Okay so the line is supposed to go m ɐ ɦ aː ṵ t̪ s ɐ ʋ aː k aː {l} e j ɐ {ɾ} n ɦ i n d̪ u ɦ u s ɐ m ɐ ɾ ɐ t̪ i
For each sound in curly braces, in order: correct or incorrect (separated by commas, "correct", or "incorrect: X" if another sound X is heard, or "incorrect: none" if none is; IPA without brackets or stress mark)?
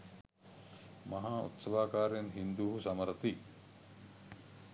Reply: incorrect: ɾ, incorrect: none